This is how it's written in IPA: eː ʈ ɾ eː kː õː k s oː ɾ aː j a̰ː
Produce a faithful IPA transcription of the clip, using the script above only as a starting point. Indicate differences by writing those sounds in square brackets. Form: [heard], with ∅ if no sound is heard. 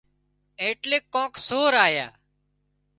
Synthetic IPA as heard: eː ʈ [l] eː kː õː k s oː ɾ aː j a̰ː